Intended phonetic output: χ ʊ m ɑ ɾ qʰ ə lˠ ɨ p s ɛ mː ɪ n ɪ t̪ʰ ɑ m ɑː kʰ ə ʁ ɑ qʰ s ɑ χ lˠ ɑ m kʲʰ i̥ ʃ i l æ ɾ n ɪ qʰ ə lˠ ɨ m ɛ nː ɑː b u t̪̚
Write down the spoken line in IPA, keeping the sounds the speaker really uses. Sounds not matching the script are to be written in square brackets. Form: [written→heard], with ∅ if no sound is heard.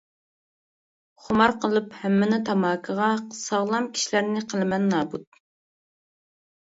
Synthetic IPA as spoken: χ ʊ m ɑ ɾ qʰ ə lˠ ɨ p [s→h] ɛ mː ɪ n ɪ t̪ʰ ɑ m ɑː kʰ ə ʁ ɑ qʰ s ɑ [χ→ʁ] lˠ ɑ m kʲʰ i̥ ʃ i l æ ɾ n ɪ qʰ ə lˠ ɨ m ɛ nː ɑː b u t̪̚